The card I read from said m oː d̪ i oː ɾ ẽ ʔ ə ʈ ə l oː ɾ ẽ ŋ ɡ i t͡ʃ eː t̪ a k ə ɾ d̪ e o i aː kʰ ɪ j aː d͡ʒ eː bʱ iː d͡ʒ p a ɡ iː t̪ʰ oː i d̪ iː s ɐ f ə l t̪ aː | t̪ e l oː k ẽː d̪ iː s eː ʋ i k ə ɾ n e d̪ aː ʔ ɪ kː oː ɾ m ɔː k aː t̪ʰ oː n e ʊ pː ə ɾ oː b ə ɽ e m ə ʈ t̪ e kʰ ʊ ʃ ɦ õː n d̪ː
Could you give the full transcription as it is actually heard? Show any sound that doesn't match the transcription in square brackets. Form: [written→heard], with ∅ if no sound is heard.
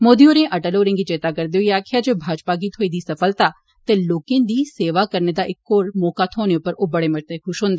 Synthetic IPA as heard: m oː d̪ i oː ɾ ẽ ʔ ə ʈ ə l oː ɾ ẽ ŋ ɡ i t͡ʃ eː t̪ a k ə ɾ d̪ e o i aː kʰ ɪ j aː d͡ʒ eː bʱ [iː→aː] d͡ʒ p a ɡ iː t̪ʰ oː i d̪ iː s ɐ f ə l t̪ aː | t̪ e l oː k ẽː d̪ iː s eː ʋ [i→a] k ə ɾ n e d̪ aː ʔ ɪ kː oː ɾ m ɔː k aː t̪ʰ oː n e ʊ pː ə ɾ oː b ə ɽ e m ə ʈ t̪ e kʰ ʊ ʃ ɦ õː n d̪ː